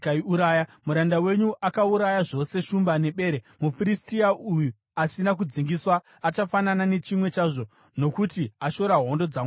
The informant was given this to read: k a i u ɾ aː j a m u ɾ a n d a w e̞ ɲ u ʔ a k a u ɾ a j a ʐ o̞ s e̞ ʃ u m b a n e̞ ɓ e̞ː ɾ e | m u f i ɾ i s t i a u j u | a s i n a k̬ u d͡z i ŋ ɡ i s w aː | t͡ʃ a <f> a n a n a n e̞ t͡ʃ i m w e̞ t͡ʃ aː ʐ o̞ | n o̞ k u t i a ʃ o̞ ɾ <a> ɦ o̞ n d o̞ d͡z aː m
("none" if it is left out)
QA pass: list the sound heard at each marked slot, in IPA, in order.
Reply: f, a

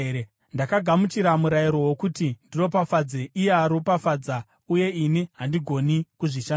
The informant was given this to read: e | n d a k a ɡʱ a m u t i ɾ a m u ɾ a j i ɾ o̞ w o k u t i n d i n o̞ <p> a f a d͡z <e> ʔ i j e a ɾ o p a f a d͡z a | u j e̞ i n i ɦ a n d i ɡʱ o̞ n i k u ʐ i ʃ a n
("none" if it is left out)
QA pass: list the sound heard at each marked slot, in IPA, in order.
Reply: p, e

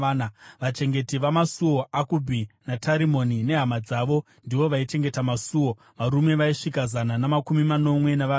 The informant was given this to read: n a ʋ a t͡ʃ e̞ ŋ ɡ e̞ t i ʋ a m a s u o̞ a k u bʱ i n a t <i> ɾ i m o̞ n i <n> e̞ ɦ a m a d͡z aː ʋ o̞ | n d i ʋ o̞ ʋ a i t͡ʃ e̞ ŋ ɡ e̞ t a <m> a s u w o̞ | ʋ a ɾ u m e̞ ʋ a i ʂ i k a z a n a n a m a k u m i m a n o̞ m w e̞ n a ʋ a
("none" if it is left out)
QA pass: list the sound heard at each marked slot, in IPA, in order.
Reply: a, n, m

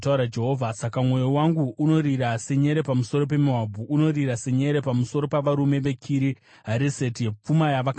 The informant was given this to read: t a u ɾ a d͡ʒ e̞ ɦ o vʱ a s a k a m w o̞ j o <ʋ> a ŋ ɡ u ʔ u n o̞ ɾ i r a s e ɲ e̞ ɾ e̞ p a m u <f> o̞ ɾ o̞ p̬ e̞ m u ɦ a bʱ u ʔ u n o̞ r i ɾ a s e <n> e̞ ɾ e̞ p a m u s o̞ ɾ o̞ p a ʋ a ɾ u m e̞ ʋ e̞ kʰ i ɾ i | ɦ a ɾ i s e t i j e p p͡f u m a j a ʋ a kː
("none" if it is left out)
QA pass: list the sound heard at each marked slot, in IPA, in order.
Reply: w, s, ɲ

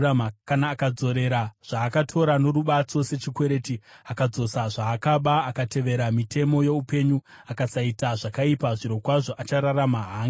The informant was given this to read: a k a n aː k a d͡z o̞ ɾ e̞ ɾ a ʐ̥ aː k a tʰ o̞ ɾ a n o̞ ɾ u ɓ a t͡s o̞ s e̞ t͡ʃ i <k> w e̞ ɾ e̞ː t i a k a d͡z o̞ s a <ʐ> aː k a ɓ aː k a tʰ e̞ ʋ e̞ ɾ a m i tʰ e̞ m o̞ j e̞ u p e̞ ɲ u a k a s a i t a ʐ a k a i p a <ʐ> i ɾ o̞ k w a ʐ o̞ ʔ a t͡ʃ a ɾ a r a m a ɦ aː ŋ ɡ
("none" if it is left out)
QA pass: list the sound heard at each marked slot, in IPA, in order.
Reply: k, ʐ, ʐ

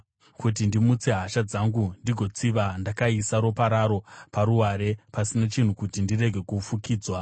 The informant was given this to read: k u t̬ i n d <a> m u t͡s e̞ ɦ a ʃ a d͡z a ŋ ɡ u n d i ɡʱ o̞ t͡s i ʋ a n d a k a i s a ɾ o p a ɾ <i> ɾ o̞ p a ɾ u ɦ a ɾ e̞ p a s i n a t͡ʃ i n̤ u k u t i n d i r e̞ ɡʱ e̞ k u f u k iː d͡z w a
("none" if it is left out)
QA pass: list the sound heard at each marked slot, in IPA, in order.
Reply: i, a

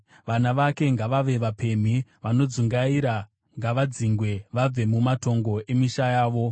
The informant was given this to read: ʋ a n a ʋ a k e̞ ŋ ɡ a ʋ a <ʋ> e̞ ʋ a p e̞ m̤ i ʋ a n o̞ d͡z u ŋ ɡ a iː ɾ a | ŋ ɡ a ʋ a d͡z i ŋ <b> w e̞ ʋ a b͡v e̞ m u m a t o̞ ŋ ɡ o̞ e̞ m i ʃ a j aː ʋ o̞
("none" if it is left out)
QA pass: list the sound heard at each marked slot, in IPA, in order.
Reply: ʋ, ɡ

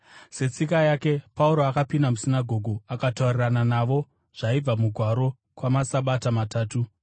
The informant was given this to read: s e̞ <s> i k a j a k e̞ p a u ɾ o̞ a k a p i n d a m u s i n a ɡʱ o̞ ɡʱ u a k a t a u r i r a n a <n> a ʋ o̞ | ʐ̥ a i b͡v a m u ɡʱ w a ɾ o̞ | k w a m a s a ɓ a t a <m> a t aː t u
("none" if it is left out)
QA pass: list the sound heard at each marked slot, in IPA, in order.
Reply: t͡s, n, m

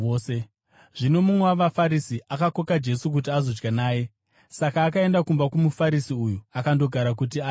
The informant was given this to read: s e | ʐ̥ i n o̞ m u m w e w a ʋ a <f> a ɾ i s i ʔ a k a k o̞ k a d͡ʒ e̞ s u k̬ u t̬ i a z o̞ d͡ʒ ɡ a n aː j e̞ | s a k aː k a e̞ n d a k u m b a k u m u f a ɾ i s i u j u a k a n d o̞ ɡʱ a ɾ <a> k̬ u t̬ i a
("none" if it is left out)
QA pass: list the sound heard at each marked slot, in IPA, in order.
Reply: f, a

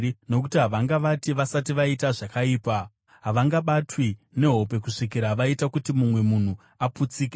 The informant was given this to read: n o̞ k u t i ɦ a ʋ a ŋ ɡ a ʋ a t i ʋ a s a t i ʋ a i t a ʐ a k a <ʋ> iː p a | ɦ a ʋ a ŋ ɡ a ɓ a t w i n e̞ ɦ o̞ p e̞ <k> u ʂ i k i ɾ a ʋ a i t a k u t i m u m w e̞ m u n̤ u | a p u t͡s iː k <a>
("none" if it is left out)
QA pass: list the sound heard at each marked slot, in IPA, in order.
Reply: none, k, e

